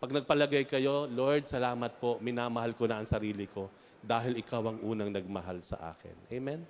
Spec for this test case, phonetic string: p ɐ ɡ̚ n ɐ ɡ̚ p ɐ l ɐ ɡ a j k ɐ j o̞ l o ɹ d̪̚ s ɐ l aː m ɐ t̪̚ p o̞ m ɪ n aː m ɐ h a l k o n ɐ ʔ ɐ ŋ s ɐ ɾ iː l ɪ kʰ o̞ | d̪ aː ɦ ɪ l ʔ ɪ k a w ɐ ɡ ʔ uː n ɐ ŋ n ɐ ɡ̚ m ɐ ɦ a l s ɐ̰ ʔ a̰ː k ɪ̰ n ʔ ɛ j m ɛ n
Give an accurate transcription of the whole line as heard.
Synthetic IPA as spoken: p ɐ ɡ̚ n ɐ ɡ̚ p ɐ l ɐ ɡ a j k ɐ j o̞ l o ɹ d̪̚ s ɐ l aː m ɐ t̪̚ p o̞ m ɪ n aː m ɐ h a l k o n ɐ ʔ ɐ ŋ s ɐ ɾ iː l ɪ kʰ o̞ | d̪ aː ɦ ɪ l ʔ ɪ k a w ɐ ŋ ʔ uː n ɐ ŋ n ɐ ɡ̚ m ɐ ɦ a l s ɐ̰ ʔ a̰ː k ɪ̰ n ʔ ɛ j m ɛ n